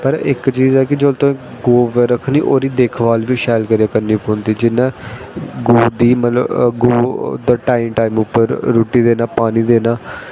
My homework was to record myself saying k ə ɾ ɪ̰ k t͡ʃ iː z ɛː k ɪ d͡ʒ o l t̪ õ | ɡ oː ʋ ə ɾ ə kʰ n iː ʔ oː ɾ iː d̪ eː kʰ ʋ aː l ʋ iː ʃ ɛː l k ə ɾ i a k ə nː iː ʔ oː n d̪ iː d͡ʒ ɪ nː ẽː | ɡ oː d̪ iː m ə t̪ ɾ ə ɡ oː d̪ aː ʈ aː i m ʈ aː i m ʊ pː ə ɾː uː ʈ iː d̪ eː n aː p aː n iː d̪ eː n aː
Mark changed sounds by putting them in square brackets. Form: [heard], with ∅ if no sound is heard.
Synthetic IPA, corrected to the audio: [p] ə ɾ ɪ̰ k t͡ʃ iː z ɛː k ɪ d͡ʒ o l t̪ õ | ɡ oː ʋ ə ɾ ə kʰ n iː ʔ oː ɾ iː d̪ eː kʰ ʋ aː l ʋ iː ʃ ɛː l k ə ɾ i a k ə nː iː [p] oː n d̪ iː d͡ʒ ɪ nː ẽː | ɡ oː d̪ iː m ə t̪ [l] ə ɡ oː d̪ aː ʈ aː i m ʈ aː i m ʊ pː ə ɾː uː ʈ iː d̪ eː n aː p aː n iː d̪ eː n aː